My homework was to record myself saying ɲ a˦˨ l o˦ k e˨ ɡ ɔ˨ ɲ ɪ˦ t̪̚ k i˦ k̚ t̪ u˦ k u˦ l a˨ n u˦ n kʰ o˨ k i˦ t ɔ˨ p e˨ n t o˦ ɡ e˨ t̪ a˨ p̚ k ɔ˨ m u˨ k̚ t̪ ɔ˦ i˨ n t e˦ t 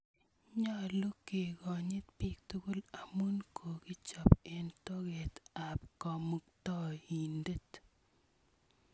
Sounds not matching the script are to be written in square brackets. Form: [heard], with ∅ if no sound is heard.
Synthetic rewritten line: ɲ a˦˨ l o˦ k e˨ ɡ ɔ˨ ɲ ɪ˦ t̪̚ [p] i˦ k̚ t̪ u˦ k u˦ l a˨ [m] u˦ n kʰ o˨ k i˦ [t͡ʃ] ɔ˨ p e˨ n t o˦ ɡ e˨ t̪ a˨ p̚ k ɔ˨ m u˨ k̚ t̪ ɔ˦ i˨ n [d] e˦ t